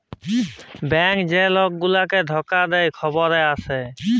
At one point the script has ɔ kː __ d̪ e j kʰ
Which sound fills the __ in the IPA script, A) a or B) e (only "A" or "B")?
A